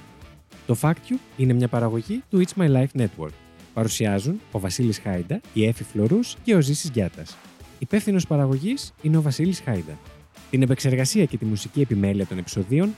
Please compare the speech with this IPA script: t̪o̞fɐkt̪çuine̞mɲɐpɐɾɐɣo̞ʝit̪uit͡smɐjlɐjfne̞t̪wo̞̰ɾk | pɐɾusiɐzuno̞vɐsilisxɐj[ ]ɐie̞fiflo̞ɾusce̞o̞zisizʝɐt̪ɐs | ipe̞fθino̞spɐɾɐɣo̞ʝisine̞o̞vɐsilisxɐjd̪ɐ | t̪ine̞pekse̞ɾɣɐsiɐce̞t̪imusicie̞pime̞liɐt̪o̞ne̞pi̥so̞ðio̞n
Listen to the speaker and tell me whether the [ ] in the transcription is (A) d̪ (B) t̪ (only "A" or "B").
A